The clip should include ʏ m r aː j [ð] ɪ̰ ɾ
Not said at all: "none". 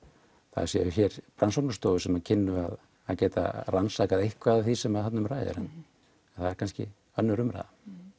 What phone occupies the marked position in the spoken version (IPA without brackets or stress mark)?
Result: ð